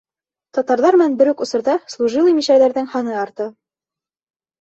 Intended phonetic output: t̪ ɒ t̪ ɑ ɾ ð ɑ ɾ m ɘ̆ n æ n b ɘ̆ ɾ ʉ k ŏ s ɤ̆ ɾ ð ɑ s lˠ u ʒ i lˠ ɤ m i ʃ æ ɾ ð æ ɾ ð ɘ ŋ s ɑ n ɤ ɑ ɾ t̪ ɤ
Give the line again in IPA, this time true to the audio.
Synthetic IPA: t̪ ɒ t̪ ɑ ɾ ð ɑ ɾ m ɘ̆ n æ n b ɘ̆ ɾ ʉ k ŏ s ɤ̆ ɾ ð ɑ s lˠ u ʒ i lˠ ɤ m i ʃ æ ɾ ð æ ɾ ð ɘ ŋ h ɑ n ɤ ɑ ɾ t̪ ɤ

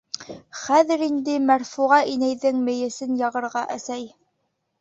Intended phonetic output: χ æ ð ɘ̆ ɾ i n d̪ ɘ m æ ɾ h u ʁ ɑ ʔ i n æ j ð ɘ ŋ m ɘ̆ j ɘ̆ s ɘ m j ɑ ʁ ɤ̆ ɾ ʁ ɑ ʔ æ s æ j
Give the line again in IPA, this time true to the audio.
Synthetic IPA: χ æ ð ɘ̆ ɾ i n d̪ ɘ m æ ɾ f u ʁ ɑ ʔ i n æ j ð ɘ ŋ m ɘ̆ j ɘ̆ s ɘ n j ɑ ʁ ɤ̆ ɾ ʁ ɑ ʔ æ s æ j

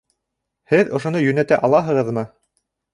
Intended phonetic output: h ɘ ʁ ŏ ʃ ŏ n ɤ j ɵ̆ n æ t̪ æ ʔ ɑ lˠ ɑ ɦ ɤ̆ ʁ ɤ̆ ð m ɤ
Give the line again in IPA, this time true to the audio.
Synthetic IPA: h ɘ ð ŏ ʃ ŏ n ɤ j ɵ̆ n æ t̪ æ ʔ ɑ lˠ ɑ ɦ ɤ̆ ʁ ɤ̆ ð m ɤ

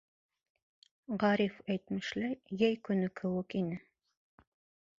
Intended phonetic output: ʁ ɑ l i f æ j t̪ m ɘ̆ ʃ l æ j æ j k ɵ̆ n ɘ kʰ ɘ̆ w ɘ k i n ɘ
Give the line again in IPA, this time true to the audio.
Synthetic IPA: ʁ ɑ ɾ i f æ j t̪ m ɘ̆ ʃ l æ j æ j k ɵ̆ n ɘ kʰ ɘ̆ w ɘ k i n ɘ

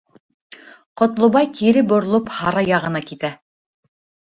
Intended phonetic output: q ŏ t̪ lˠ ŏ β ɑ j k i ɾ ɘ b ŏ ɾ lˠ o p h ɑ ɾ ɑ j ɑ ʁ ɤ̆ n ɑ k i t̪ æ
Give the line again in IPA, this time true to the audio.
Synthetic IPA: q ŏ t̪ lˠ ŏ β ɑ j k i ɾ ɘ b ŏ ɾ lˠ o p h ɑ ɾ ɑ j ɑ ʁ ɤ̆ n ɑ k i t̪ æ

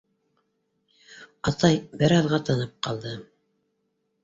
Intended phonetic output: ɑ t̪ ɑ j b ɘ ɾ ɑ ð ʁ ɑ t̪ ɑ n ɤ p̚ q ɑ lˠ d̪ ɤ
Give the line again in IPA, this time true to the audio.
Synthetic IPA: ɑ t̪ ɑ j b ɘ ɾ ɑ ð ʁ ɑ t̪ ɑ n ɤ p̚ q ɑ lˠ d̪ ɤ

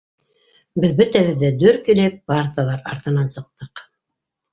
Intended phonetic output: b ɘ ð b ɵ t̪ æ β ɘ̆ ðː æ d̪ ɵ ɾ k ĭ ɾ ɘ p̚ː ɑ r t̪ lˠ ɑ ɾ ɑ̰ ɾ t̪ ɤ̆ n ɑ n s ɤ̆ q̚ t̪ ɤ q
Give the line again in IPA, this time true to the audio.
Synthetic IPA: b ɘ ð b ɵ t̪ æ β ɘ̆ ðː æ d̪ ɵ ɾ k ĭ l ɘ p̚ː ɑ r t̪ lˠ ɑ ɾ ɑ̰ ɾ t̪ ɤ̆ n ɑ n s ɤ̆ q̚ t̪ ɤ q

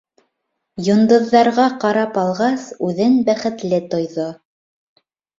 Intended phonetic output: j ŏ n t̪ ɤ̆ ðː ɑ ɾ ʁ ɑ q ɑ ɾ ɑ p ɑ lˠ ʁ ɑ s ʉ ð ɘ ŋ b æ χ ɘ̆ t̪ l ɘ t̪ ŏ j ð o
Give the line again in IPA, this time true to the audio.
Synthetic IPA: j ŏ n d̪ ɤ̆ ðː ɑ ɾ ʁ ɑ q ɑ ɾ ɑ p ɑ lˠ ʁ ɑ s ʉ ð ɘ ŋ b æ χ ɘ̆ t̪ l ɘ t̪ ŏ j ð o

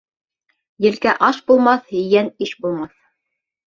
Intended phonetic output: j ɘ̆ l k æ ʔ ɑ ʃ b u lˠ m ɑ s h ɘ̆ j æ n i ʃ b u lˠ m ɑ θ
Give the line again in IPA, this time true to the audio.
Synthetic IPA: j ɘ̆ l k æ ʔ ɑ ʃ b u lˠ m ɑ θ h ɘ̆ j æ n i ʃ b u lˠ m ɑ θ

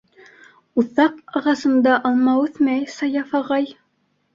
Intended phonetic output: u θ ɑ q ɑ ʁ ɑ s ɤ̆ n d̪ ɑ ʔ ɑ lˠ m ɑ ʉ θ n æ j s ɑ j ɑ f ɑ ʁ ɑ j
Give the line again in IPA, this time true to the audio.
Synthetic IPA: u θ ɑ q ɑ ʁ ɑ s ɤ̆ n d̪ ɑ ʔ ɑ lˠ m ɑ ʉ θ m æ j s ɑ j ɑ f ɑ ʁ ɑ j

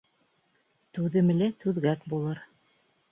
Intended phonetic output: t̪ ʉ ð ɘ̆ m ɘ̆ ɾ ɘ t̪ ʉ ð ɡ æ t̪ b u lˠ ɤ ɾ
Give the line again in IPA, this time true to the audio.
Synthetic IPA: t̪ ʉ ð ɘ̆ m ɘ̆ l ɘ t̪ ʉ ð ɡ æ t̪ b u lˠ ɤ ɾ

